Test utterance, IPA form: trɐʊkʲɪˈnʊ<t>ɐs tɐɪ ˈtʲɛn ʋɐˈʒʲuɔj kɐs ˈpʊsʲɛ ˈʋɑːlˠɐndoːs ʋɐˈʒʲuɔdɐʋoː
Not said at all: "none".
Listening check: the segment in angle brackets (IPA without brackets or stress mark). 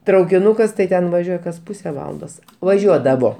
k